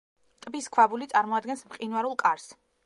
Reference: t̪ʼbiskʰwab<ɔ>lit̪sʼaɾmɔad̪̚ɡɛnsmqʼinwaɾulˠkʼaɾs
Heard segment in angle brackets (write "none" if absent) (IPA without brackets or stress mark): u